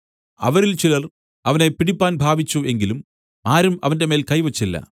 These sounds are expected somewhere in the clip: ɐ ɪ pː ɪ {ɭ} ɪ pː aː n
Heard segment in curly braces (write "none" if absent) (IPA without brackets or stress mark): ɽ